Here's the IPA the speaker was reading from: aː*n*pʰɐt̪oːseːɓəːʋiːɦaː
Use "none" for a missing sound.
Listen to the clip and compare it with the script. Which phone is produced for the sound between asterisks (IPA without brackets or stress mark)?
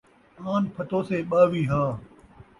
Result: n